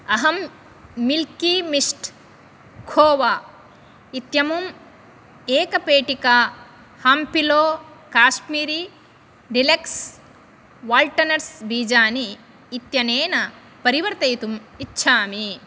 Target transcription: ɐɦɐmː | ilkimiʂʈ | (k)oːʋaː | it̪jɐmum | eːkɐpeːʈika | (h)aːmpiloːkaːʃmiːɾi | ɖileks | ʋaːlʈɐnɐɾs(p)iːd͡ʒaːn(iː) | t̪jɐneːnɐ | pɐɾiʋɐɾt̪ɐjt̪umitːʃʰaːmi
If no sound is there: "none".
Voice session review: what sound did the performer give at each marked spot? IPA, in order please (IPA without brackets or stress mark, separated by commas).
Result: kʰ, h, b, iː